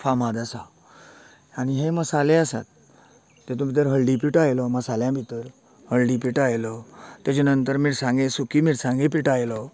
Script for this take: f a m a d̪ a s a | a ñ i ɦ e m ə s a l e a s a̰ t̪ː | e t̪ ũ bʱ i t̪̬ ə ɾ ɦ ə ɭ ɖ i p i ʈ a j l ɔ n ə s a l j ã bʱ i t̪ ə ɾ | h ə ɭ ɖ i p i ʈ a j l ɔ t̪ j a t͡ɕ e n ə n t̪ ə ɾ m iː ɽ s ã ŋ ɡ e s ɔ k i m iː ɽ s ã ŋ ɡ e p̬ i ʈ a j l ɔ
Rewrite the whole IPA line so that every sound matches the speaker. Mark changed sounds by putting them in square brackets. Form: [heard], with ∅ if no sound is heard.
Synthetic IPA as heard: f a m a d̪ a s a | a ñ i ɦ e m ə s a l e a s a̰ t̪ː | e t̪ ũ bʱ i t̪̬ ə ɾ ɦ ə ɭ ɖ i p i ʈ a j l ɔ [m] ə s a l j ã bʱ i t̪ ə ɾ | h ə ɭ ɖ i p i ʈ a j l ɔ t̪ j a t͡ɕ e n ə n t̪ ə ɾ m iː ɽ s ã ŋ ɡ e s [u] k i m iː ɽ s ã ŋ ɡ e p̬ i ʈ a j l ɔ